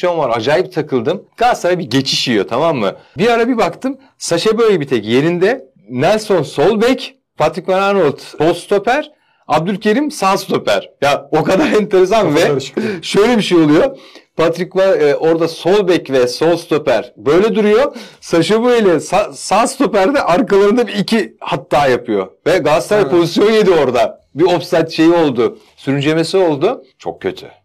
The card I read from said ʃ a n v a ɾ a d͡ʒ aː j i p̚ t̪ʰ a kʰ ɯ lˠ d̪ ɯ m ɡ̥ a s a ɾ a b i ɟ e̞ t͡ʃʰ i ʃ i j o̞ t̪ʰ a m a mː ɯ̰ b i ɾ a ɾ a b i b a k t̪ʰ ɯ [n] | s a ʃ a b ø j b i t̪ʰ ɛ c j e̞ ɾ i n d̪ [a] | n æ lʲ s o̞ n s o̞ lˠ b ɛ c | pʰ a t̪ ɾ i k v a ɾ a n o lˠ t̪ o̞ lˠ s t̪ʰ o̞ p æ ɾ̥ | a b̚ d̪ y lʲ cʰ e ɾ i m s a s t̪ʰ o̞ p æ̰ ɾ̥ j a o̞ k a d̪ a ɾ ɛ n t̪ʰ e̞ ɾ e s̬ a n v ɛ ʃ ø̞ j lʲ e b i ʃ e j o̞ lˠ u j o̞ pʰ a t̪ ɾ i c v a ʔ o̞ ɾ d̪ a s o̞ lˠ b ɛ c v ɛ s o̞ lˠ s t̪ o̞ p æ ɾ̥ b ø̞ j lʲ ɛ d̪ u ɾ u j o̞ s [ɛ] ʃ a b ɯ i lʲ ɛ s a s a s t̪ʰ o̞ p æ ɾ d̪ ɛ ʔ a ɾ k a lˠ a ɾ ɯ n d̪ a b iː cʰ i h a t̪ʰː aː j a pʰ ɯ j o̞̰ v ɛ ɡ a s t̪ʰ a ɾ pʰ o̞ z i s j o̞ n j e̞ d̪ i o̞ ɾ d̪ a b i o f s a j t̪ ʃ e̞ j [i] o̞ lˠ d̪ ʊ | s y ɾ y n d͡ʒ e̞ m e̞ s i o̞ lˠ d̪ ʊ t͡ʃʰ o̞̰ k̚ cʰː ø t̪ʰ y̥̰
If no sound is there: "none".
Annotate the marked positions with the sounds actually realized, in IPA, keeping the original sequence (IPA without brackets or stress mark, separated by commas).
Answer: m, ɛ, a, i